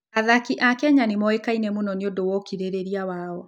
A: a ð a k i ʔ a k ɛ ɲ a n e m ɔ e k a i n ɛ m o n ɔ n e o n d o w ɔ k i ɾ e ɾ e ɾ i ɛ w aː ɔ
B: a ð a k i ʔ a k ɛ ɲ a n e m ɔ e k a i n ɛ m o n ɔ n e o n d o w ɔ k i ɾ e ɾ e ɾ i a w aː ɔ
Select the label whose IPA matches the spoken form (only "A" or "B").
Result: B